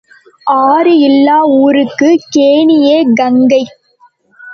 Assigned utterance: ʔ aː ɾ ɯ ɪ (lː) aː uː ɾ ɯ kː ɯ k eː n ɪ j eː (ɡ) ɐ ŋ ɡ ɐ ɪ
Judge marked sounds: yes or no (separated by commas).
yes, yes